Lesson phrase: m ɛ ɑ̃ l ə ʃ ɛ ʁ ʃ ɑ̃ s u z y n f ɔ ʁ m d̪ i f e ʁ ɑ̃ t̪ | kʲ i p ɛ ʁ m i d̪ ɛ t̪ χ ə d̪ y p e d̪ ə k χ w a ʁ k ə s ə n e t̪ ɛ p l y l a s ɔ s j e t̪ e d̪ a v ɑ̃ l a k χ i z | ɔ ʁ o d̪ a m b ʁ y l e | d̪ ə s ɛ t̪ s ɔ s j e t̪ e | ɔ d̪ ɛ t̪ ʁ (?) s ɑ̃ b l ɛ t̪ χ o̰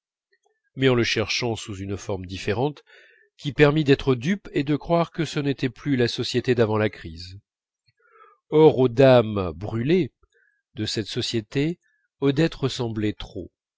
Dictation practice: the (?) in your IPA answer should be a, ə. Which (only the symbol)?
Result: ə